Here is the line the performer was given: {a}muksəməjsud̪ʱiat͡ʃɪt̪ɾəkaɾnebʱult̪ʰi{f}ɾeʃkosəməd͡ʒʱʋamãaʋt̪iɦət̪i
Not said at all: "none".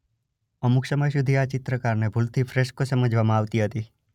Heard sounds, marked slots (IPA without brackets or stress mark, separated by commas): ə, f